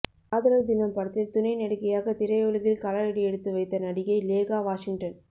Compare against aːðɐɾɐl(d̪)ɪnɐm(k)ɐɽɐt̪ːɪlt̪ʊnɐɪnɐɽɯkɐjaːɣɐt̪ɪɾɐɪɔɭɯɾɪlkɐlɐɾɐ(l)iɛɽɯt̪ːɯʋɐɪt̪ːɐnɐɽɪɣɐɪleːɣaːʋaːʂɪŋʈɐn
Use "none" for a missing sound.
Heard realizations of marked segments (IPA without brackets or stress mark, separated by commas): d̪, p, ɽ